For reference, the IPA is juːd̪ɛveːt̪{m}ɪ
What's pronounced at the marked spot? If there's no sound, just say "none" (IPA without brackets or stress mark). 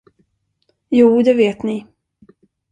n